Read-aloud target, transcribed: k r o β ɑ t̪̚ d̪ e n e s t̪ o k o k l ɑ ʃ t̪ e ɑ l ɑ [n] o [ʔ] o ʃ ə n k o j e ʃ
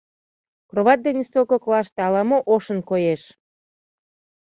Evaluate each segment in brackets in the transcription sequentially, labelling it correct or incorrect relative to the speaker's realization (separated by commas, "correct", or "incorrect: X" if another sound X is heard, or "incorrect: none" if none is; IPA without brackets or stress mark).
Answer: incorrect: m, correct